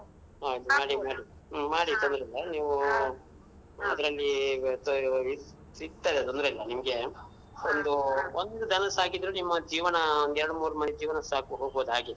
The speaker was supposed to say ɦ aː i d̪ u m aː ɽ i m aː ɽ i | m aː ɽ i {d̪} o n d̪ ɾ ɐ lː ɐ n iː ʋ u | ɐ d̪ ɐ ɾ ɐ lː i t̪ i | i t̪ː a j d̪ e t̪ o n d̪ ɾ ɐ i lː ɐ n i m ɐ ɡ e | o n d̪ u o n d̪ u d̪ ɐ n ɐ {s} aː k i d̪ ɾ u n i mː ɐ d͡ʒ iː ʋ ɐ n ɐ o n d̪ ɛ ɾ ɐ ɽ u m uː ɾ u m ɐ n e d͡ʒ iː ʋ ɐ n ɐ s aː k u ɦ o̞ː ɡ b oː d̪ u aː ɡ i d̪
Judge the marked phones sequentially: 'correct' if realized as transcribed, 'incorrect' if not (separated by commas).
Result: incorrect, correct